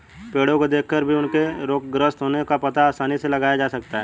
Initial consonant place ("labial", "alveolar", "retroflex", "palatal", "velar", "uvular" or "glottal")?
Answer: labial